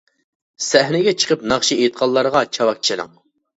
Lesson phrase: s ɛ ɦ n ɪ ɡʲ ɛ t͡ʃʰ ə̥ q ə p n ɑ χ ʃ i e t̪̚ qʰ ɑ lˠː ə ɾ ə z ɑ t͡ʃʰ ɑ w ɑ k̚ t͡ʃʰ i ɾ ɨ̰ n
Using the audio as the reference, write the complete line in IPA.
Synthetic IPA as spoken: s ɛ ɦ n ɪ ɡʲ ɛ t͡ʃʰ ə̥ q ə p n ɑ χ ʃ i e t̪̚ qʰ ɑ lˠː ɑ ɾ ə ʁ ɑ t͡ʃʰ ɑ w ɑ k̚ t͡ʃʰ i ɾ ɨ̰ ŋ